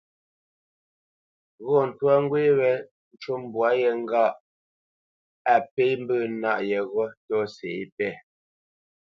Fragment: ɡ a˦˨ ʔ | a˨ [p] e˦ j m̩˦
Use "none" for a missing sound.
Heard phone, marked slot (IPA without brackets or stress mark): p